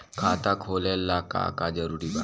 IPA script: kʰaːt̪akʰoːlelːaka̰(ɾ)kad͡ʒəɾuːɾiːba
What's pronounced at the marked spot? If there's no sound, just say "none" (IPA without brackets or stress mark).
none